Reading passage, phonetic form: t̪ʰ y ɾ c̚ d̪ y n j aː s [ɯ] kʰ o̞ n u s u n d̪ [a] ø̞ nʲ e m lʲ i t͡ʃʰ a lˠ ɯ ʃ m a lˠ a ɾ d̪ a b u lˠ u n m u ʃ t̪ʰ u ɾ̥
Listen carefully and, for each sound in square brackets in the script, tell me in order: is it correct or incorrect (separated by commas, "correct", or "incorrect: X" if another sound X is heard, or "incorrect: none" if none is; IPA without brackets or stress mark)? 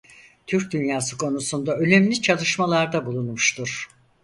correct, correct